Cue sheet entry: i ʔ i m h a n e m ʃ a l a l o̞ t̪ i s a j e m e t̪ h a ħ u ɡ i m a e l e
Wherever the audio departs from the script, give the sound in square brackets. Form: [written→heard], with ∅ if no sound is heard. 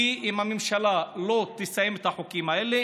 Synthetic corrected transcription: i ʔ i m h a [n→m] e m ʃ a l a l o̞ t̪ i s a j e m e t̪ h a ħ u [ɡ→k] i m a e l e